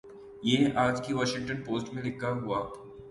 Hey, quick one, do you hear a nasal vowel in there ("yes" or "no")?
yes